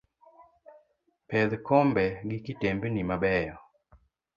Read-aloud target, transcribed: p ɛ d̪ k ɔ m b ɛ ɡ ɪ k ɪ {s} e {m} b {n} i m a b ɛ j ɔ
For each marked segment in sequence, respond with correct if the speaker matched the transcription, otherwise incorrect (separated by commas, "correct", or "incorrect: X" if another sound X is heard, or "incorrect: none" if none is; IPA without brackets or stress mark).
incorrect: t, correct, correct